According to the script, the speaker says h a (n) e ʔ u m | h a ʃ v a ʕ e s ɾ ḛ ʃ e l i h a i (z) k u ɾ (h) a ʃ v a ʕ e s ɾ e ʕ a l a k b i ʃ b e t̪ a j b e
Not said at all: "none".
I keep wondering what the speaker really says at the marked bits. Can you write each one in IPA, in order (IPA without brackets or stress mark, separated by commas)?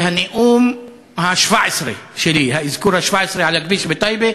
n, z, h